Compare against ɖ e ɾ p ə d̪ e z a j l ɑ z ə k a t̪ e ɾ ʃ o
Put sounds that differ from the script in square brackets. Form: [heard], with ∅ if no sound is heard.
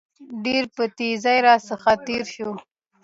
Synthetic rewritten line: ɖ e ɾ p ə [t̪] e z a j [ɾ] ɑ [s] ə [x] a t̪ e ɾ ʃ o